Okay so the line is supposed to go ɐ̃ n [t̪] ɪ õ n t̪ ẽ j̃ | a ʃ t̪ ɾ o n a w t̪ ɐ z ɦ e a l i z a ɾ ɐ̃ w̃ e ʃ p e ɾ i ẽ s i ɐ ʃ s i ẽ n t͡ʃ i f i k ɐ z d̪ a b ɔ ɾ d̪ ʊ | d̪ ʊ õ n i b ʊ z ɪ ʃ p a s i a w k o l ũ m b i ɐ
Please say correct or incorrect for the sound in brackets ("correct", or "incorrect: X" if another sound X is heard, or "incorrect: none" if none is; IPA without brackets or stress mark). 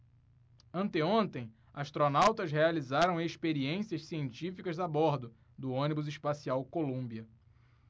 correct